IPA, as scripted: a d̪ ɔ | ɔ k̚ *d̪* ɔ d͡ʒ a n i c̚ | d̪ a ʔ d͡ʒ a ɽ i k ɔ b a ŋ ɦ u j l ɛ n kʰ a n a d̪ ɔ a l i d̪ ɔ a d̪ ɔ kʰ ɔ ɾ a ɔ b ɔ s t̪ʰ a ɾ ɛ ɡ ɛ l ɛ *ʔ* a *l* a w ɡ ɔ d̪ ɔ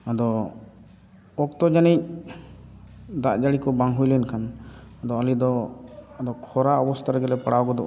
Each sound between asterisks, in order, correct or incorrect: incorrect: t̪, incorrect: p, incorrect: ɽ

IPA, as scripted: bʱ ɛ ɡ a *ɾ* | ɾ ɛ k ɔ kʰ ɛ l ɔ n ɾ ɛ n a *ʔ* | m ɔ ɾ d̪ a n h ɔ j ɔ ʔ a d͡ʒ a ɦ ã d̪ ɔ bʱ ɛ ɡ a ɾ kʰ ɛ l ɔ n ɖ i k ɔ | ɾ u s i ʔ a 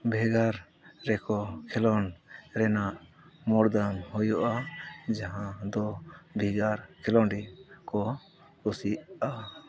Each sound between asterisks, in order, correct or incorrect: correct, correct

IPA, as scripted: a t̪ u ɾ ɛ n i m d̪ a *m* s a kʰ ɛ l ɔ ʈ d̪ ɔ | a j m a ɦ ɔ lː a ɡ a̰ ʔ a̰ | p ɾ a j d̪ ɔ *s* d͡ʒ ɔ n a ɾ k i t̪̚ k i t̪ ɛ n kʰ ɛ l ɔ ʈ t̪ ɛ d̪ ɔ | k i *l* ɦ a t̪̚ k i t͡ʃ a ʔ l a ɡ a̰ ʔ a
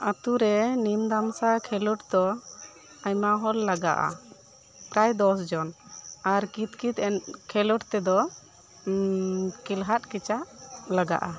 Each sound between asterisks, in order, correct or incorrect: correct, correct, correct

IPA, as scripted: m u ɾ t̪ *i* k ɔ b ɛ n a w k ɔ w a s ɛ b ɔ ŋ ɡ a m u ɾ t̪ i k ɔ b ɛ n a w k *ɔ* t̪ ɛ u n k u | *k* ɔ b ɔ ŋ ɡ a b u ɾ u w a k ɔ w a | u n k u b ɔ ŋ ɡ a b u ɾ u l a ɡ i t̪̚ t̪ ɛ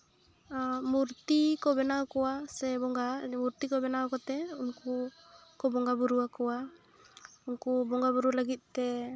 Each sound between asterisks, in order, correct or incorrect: correct, correct, correct

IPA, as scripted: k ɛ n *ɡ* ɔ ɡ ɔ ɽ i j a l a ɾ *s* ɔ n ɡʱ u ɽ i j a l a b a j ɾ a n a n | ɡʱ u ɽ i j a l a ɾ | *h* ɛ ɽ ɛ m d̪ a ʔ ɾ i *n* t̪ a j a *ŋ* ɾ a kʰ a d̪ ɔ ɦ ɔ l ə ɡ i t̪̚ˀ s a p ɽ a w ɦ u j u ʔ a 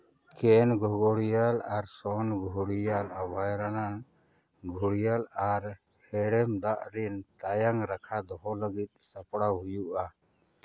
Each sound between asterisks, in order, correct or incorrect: correct, correct, correct, correct, correct

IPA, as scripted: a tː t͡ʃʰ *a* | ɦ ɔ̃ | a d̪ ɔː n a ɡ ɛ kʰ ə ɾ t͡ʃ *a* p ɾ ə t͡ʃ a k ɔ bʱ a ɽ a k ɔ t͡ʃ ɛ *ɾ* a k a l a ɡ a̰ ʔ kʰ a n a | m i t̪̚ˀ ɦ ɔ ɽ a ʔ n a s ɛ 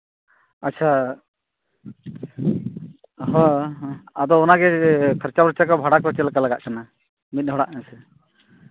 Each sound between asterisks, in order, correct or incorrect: correct, correct, incorrect: l

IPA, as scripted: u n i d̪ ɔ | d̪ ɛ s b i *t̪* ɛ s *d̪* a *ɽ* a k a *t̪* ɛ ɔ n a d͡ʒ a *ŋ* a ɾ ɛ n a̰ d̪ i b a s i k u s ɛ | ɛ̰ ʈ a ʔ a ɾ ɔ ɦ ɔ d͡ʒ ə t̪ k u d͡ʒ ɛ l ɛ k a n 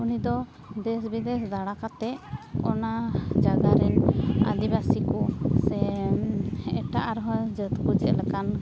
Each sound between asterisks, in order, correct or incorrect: incorrect: d̪, correct, correct, correct, incorrect: ɡ

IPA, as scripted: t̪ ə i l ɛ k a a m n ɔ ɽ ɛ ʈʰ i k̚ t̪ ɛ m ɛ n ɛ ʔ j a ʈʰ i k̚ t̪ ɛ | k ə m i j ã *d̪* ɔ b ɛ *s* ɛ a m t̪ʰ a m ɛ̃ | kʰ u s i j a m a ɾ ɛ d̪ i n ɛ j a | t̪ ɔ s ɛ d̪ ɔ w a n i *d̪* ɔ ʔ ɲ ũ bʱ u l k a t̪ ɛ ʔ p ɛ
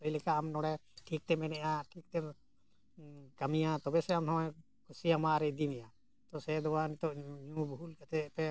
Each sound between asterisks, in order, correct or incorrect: incorrect: t̪, correct, incorrect: t̪

